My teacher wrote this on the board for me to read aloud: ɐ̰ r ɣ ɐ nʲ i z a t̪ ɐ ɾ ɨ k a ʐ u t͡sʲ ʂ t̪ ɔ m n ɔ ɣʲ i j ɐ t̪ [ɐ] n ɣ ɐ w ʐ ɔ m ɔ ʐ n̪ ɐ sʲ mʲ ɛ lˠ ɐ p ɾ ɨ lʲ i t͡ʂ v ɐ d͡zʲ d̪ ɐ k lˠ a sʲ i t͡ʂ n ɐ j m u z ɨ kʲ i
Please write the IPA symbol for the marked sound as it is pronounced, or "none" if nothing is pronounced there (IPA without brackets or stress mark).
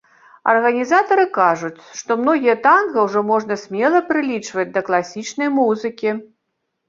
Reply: a